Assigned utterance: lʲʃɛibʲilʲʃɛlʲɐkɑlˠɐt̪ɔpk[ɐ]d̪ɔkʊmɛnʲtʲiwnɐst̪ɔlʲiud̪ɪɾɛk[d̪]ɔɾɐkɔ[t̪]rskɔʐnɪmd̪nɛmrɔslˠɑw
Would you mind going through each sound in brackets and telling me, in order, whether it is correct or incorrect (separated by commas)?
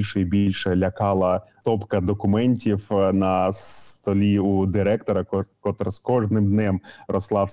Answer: correct, incorrect, correct